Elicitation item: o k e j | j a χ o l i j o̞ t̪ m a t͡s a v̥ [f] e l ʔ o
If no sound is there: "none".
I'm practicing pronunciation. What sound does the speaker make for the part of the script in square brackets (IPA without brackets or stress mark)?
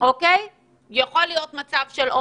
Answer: ʃ